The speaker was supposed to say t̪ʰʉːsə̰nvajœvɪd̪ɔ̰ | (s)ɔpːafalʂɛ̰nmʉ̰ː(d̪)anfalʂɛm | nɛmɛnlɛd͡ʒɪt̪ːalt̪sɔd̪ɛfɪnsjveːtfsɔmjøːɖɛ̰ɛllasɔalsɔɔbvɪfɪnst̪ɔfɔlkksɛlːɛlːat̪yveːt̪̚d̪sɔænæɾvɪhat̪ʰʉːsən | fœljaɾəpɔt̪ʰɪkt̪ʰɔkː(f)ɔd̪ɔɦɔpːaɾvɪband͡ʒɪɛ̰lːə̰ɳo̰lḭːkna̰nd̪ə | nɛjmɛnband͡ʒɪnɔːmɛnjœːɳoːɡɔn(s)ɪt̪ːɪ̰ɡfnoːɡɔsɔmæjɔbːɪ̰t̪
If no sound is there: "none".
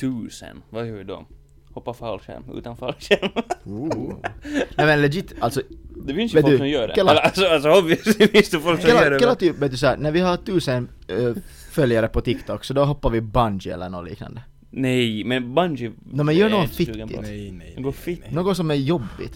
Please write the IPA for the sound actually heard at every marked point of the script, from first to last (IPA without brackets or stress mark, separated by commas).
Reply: h, t̪, s, f